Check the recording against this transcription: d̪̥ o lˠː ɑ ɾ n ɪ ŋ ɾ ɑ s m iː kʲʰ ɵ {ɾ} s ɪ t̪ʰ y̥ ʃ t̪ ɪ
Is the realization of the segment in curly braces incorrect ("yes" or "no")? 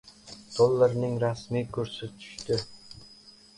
no